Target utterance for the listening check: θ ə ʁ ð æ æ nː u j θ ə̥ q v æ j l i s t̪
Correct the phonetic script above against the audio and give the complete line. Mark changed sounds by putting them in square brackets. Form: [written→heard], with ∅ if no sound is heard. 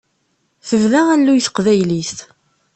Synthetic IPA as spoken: θ ə [ʁ→v] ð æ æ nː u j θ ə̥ q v æ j l i s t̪